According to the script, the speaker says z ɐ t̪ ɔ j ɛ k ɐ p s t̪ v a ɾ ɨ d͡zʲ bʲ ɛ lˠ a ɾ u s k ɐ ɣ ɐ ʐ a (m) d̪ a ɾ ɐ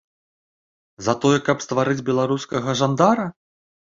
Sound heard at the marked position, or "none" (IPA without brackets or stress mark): n